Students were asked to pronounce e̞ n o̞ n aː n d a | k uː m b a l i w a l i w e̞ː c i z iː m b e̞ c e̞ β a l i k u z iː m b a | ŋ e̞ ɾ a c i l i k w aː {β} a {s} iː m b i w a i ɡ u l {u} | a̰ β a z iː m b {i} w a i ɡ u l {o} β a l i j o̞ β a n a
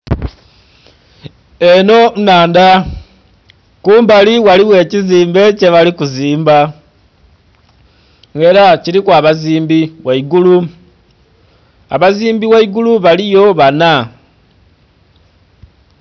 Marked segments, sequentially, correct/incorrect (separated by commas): correct, incorrect, correct, correct, incorrect